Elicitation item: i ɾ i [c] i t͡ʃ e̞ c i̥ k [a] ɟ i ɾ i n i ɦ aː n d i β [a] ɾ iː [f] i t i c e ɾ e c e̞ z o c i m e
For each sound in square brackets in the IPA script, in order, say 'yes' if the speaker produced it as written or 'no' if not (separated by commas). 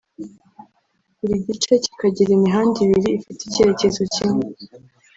no, yes, no, yes